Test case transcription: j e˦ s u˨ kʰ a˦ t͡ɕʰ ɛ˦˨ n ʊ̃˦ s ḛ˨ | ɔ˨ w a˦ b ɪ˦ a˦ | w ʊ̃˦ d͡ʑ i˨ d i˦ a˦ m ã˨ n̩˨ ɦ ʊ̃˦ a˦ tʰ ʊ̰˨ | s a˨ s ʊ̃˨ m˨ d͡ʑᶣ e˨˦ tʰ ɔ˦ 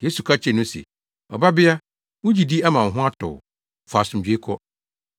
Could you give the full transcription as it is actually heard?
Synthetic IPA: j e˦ s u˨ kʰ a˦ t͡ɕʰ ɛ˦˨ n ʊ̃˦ s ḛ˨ | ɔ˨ b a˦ b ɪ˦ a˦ | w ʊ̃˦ d͡ʑ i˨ d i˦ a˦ m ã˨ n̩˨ ɦ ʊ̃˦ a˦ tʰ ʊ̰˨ | f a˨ s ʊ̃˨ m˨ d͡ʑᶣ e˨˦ kʰ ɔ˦